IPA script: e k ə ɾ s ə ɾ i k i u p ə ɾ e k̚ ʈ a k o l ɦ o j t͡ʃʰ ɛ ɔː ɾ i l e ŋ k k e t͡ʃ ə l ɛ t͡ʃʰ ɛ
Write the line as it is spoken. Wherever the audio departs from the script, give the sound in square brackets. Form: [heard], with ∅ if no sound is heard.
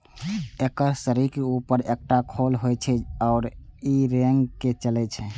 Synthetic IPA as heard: e k ə ɾ s ə ɾ i k [e] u p ə ɾ e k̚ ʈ a [kʰ] o l ɦ o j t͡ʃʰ ɛ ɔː ɾ i [ɾ] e ŋ [ɡ] k e t͡ʃ ə l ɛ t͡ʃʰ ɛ